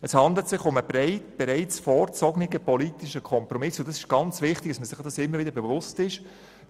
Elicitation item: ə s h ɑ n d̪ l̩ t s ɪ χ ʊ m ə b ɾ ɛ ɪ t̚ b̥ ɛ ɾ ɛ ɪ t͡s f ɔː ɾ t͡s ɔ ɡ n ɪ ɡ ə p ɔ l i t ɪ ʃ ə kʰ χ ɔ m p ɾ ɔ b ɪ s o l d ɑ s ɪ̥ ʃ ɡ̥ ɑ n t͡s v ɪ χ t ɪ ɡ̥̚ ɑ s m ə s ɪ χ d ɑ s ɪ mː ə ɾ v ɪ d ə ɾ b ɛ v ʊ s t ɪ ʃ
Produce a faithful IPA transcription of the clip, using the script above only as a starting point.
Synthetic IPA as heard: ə s h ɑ n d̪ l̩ t s ɪ χ ʊ m ə b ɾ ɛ ɪ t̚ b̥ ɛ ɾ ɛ ɪ t͡s f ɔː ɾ t͡s ɔ ɡ n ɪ ɡ ə p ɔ l i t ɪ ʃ ə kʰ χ ɔ m p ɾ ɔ m ɪ s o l d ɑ s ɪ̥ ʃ ɡ̥ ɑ n t͡s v ɪ χ t ɪ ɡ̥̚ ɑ s m ə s ɪ χ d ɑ s ɪ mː ə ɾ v ɪ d ə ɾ b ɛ v ʊ s t ɪ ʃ